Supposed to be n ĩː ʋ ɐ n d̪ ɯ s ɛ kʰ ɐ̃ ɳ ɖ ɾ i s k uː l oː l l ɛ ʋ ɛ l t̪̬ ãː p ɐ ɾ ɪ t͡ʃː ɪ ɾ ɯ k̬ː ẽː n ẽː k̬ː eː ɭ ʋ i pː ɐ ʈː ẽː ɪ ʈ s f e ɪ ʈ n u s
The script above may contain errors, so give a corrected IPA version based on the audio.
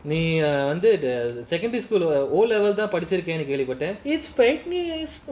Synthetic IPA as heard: n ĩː ʋ ɐ n d̪ ɯ s ɛ k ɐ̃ ɳ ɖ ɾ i s k uː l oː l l ɛ ʋ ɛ l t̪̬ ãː p ɐ ɽ ɪ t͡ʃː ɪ ɾ ɯ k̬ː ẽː n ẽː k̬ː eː ɭ ʋ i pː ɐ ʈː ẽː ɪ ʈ s f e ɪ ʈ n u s